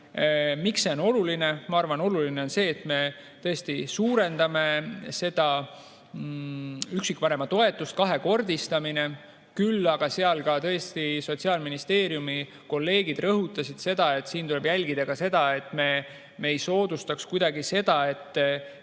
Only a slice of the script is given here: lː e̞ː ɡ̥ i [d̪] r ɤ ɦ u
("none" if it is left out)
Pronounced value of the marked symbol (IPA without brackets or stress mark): d̪